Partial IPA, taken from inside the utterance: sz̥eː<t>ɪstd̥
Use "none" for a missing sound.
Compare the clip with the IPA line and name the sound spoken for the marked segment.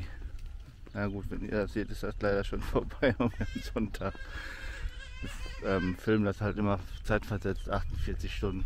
t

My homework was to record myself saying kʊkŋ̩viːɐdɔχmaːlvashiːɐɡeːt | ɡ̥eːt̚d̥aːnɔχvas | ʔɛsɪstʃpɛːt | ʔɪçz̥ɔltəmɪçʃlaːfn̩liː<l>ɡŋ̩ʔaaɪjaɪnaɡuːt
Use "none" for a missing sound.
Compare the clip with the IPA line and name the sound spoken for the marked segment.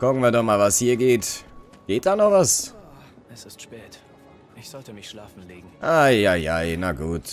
none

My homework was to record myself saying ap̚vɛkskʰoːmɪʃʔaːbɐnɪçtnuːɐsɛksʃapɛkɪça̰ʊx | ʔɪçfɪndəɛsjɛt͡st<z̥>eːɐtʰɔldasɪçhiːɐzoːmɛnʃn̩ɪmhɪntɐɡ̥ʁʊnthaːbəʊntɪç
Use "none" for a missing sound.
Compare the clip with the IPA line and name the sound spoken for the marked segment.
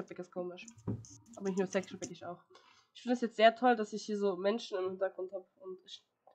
z̥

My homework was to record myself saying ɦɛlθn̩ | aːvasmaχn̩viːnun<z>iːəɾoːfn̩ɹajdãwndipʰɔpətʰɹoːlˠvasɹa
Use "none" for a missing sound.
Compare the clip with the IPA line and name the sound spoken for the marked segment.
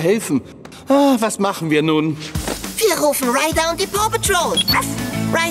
v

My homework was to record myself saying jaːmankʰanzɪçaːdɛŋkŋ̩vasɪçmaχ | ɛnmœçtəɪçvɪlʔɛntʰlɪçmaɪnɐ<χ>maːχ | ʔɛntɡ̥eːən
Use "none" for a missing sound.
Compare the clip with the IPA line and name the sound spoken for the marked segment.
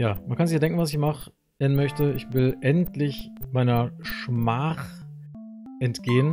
ʃ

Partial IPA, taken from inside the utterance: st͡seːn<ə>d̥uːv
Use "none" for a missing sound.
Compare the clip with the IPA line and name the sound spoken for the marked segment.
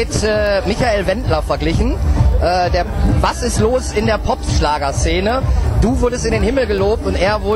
ə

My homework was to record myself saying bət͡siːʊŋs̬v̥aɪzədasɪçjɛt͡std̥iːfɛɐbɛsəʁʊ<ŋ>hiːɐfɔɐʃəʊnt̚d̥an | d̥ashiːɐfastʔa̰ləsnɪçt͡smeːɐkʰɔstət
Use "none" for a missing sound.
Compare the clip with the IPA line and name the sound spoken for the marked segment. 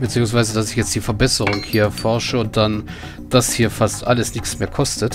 ŋ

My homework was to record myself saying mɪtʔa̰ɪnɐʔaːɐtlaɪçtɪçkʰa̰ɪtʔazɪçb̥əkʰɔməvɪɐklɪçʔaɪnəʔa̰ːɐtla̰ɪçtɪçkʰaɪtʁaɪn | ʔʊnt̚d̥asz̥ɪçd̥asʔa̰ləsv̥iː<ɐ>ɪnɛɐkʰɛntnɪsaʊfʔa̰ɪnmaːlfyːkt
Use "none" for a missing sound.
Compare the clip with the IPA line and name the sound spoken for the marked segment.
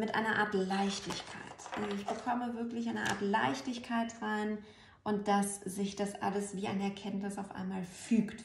a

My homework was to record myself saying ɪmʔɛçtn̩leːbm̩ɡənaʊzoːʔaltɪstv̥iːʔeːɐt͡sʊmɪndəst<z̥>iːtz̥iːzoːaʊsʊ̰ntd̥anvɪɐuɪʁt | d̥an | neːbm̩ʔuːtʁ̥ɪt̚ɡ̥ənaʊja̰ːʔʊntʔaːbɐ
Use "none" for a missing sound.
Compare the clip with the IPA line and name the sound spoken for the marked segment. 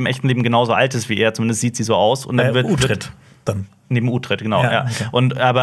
z̥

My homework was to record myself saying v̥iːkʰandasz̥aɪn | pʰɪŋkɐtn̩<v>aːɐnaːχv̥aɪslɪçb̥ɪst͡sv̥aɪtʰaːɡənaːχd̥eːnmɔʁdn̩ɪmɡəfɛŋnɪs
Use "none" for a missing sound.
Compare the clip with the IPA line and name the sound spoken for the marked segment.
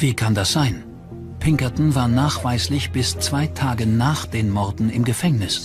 v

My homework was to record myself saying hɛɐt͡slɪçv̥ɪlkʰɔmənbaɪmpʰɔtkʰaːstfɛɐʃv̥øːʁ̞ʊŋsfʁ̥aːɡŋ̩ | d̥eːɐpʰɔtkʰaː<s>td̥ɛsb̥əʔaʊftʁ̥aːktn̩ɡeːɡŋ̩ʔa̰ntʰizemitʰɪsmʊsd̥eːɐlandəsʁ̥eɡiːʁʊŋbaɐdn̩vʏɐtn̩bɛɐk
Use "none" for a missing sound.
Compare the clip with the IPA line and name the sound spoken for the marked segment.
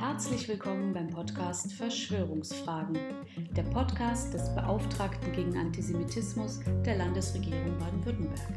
s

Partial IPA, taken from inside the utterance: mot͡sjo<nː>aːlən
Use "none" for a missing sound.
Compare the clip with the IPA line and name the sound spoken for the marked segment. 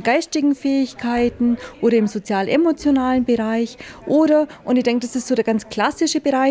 n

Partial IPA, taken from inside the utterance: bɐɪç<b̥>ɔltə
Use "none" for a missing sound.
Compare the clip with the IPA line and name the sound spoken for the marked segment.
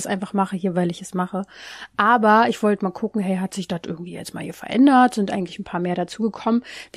v̥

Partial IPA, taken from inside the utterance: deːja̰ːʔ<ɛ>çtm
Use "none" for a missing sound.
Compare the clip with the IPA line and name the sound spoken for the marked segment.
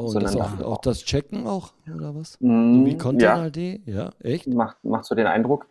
ɛ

